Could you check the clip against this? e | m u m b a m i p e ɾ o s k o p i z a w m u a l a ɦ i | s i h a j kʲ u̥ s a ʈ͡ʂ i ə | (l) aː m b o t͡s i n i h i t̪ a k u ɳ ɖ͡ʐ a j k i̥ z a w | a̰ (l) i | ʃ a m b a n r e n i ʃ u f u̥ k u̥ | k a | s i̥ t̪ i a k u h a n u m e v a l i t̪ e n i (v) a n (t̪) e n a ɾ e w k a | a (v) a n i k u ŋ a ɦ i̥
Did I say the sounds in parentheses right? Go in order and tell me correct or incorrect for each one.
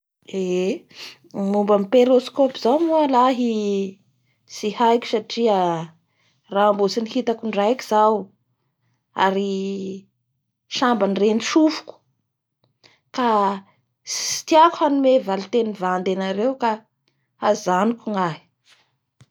incorrect: r, incorrect: ɾ, correct, incorrect: d̪, incorrect: z

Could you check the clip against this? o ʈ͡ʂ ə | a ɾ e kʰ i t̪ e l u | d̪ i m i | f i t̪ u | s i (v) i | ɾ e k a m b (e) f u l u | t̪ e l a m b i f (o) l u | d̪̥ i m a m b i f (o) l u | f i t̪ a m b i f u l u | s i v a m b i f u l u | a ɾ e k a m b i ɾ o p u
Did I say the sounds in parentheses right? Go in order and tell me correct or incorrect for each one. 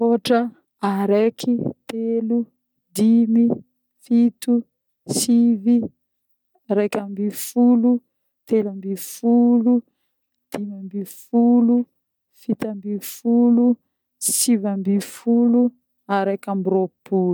correct, incorrect: i, incorrect: u, incorrect: u

